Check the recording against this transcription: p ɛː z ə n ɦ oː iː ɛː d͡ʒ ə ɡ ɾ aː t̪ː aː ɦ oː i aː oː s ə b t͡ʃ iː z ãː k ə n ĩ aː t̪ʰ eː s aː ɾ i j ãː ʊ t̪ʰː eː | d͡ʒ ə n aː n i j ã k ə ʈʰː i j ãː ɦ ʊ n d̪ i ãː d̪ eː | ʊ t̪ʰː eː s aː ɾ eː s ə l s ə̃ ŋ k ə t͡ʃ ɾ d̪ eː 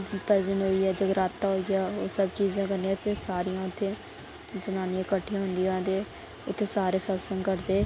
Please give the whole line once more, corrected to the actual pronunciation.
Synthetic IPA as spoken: p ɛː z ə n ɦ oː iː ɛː d͡ʒ ə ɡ ɾ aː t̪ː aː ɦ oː i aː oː s ə b t͡ʃ iː z ãː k ə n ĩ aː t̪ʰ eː s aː ɾ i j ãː ʊ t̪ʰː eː | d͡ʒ ə n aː n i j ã k ə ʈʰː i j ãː ɦ ʊ n d̪ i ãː d̪ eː | ʊ t̪ʰː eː s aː ɾ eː s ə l s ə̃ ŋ k ə ɾ d̪ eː

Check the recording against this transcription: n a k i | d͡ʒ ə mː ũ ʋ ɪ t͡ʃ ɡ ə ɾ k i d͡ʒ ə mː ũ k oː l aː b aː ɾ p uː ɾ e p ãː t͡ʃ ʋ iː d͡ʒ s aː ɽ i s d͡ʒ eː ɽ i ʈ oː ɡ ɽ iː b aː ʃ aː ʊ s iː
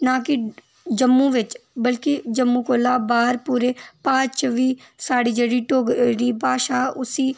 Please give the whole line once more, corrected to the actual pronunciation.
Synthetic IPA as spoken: n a k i | d͡ʒ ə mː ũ ʋ ɪ t͡ʃ b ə l k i d͡ʒ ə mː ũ k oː l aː b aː ɾ p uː ɾ e p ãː t͡ʃ ʋ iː s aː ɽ i d͡ʒ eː ɽ i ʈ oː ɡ ɾ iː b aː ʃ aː ʊ s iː

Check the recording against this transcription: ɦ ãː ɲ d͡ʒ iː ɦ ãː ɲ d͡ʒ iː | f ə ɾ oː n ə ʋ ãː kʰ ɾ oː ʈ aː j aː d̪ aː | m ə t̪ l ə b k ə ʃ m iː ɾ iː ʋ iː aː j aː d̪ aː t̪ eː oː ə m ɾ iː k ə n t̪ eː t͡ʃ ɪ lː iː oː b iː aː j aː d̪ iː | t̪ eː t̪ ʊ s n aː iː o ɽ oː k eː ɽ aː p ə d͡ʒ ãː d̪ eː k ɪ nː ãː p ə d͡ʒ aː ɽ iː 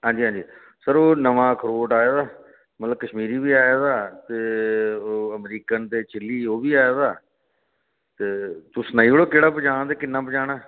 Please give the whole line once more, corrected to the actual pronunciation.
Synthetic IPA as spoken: ɦ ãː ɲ d͡ʒ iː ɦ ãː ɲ d͡ʒ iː | s ə ɾ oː n ə ʋ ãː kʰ ɾ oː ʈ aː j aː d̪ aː | m ə t̪ l ə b k ə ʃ m iː ɾ iː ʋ iː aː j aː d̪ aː t̪ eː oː ə m ɾ iː k ə n t̪ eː t͡ʃ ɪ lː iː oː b iː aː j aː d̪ aː | t̪ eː t̪ ʊ s n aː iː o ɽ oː k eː ɽ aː p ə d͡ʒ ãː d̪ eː k ɪ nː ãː p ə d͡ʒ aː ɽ aː

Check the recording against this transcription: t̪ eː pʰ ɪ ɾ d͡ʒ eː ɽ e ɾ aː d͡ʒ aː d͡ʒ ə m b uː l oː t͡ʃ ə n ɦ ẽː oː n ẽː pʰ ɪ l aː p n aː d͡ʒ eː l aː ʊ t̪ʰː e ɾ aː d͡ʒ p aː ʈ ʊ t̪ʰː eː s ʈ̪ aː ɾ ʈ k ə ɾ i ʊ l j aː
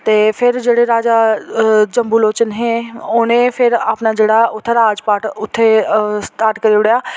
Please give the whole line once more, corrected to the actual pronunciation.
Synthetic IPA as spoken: t̪ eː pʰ ɪ ɾ d͡ʒ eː ɽ e ɾ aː d͡ʒ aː d͡ʒ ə m b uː l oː t͡ʃ ə n ɦ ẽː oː n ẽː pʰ ɪ ɾ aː p n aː d͡ʒ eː ɽ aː ʊ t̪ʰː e ɾ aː d͡ʒ p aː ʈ ʊ t̪ʰː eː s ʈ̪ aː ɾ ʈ k ə ɾ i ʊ ɽ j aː

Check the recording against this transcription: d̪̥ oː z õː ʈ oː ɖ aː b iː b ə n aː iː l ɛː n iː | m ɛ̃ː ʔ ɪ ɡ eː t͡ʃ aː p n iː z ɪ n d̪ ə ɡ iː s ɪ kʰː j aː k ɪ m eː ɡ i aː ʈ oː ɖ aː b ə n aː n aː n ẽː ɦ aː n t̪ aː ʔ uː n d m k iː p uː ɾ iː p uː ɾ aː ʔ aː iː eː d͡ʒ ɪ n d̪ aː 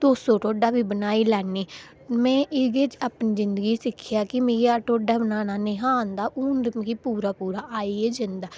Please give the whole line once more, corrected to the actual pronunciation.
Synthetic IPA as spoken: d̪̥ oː s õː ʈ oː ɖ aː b iː b ə n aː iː l ɛː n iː | m ɛ̃ː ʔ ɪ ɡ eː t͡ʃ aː p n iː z ɪ n d̪ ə ɡ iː s ɪ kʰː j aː k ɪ m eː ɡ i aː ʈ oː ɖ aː b ə n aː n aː n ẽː ɦ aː n d̪ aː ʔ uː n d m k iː p uː ɾ aː p uː ɾ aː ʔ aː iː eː d͡ʒ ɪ n d̪ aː

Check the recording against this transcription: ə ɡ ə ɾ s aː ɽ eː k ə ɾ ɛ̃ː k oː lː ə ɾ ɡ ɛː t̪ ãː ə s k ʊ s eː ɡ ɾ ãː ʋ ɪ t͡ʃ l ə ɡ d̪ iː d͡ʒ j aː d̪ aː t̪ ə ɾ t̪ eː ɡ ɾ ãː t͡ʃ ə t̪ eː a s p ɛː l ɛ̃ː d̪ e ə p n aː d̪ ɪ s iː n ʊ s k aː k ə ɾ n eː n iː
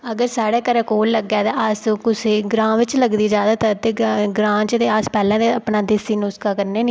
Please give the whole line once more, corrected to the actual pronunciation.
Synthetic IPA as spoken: ə ɡ ə ɾ s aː ɽ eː k ə ɾ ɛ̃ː k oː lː ə ɡ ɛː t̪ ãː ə s k ʊ s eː ɡ ɾ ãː ʋ ɪ t͡ʃ l ə ɡ d̪ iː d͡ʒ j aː d̪ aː t̪ ə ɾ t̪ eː ɡ ɾ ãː t͡ʃ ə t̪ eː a s p ɛː l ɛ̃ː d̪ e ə p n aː d̪ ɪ s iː n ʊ s k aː k ə ɾ n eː n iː

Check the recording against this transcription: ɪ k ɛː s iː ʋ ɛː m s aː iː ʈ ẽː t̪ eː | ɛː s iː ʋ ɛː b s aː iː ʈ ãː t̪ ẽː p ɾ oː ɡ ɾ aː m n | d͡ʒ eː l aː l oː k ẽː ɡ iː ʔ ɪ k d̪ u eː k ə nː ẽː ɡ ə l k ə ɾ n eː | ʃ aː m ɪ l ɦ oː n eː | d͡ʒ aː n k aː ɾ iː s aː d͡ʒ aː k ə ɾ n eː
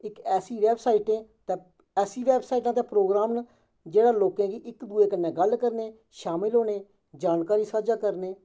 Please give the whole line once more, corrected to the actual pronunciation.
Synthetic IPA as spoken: ɪ k ɛː s iː ʋ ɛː b s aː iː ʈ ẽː t̪ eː | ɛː s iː ʋ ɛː b s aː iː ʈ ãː t̪ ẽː p ɾ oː ɡ ɾ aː m n | d͡ʒ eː ɽ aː l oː k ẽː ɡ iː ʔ ɪ k d̪ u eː k ə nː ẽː ɡ ə l k ə ɾ n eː | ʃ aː m ɪ l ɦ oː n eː | d͡ʒ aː n k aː ɾ iː s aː d͡ʒ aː k ə ɾ n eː

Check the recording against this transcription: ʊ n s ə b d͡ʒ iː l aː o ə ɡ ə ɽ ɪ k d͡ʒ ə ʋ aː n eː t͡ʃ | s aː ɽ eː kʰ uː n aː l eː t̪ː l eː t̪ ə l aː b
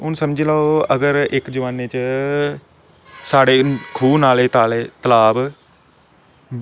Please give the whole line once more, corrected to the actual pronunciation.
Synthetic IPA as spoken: ʊ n s ə m d͡ʒ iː l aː o ə ɡ ə ɾ ɪ k d͡ʒ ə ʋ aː n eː t͡ʃ | s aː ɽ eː kʰ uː n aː l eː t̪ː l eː t̪ ə l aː b

